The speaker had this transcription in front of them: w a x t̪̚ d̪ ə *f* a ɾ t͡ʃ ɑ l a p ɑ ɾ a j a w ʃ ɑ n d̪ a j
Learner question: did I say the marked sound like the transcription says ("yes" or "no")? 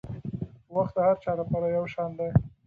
no